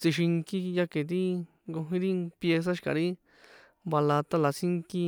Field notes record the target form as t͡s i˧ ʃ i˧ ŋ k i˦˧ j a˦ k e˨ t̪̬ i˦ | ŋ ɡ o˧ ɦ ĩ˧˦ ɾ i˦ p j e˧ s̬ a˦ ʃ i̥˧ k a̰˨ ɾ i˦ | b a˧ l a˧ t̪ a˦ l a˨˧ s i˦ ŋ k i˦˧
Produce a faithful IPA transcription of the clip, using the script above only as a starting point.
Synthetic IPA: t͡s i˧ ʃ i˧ ŋ k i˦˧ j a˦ k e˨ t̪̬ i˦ | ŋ ɡ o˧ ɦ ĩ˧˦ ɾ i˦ p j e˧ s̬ a˦ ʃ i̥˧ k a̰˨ ɾ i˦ | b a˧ l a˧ t̪ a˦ l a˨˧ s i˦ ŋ k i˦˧